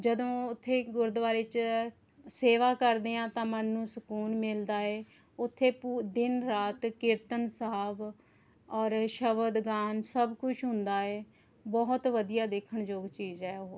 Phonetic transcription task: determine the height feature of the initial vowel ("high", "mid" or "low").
mid